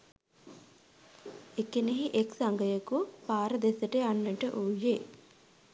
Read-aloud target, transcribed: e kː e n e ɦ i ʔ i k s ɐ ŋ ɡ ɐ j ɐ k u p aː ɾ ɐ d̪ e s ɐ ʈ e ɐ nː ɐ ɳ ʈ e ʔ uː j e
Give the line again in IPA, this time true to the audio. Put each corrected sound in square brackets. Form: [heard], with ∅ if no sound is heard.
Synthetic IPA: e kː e n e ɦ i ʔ [e] k s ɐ ŋ ɡ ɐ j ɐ k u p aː ɾ ɐ d̪ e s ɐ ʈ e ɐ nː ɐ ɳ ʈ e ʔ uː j e